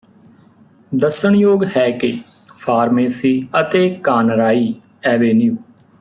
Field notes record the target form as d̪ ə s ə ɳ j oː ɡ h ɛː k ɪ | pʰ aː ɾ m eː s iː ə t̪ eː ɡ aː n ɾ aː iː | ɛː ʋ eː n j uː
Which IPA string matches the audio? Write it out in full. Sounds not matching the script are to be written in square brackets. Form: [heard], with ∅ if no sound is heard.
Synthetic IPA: d̪ ə s ə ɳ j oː ɡ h ɛː k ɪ | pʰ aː ɾ m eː s iː ə t̪ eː [k] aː n ɾ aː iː | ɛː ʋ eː n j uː